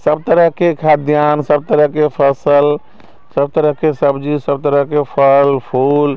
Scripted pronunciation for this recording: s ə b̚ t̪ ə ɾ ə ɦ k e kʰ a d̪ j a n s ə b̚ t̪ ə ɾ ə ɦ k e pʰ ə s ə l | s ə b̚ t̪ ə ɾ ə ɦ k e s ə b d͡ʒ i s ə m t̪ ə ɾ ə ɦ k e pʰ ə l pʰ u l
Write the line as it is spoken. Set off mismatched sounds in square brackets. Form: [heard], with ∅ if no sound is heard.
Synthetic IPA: s ə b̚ t̪ ə ɾ ə ɦ k e kʰ a d̪ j a n s ə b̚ t̪ ə ɾ ə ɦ k e pʰ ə s ə l | s ə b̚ t̪ ə ɾ ə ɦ k e s ə b d͡ʒ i s ə [b] t̪ ə ɾ ə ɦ k e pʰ ə l pʰ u l